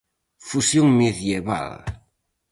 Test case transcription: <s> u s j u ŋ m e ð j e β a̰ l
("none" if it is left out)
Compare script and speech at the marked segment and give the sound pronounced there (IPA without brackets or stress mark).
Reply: f